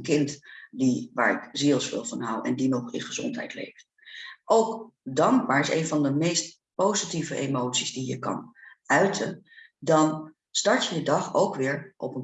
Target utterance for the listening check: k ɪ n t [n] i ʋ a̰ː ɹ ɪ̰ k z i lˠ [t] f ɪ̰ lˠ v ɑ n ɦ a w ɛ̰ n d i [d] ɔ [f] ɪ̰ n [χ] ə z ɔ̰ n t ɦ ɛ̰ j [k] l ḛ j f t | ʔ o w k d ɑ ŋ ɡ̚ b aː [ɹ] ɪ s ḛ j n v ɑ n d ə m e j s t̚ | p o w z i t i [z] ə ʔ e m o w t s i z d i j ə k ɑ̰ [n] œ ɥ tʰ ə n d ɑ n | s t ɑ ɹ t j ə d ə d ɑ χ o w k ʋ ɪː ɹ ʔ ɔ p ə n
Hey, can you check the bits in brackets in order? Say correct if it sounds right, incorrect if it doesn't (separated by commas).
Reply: incorrect, incorrect, incorrect, incorrect, correct, incorrect, correct, incorrect, correct